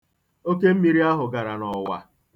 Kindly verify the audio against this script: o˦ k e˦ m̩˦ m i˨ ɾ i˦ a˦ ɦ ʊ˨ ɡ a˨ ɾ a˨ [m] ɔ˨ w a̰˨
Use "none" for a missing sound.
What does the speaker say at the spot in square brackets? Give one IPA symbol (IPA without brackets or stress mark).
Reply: n